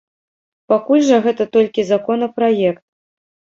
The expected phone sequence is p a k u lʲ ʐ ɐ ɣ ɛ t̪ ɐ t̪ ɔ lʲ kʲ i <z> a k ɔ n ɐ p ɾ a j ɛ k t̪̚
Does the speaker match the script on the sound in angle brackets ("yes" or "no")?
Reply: yes